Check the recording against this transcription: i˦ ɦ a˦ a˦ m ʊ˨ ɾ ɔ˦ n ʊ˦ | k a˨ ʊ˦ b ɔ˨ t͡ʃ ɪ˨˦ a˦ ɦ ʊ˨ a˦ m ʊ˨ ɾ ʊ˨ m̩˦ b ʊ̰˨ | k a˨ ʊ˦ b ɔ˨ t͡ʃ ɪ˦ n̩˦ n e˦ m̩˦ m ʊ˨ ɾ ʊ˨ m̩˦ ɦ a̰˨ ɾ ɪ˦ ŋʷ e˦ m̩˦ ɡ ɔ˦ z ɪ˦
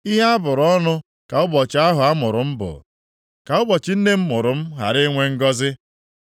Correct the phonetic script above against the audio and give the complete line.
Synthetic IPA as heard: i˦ ɦ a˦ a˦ b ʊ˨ ɾ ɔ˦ n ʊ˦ | k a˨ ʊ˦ b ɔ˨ t͡ʃ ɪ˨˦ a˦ ɦ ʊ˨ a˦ m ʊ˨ ɾ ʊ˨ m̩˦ b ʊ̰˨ | k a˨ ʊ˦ b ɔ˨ t͡ʃ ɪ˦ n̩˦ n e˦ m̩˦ m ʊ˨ ɾ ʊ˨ m̩˦ ɦ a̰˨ ɾ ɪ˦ ŋʷ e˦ ŋ̩˦ ɡ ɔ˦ z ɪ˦